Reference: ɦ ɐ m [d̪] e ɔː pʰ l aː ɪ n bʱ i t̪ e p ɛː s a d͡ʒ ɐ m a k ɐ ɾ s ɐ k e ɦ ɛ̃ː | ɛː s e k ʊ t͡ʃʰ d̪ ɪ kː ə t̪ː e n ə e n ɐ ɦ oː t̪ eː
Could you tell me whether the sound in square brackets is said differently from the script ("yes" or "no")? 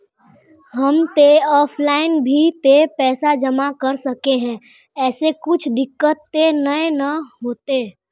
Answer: yes